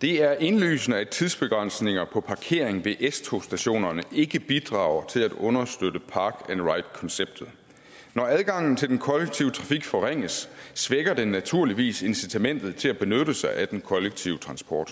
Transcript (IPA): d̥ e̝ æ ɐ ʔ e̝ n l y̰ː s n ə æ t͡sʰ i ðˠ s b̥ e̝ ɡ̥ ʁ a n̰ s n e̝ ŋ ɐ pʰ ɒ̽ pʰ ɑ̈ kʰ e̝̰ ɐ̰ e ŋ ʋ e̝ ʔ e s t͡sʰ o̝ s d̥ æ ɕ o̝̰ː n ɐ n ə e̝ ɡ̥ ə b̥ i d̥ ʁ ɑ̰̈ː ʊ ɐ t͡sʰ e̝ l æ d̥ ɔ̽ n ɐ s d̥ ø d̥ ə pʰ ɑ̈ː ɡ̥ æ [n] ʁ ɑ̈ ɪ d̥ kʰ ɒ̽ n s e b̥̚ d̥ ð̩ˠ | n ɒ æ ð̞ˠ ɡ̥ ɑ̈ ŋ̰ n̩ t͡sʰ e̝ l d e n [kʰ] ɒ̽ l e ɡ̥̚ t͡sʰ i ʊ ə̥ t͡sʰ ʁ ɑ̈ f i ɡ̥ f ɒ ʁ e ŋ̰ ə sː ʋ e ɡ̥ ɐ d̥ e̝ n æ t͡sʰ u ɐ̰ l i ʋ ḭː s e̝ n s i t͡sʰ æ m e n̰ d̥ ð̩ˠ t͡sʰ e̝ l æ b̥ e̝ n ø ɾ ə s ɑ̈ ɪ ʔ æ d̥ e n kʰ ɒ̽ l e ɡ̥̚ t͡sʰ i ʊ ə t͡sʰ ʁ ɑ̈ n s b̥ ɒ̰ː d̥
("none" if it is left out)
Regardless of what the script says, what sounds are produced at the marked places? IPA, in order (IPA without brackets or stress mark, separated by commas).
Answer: n, kʰ